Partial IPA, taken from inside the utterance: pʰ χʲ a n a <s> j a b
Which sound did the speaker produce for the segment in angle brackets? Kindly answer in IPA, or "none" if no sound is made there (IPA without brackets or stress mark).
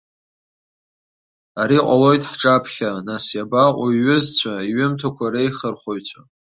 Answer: s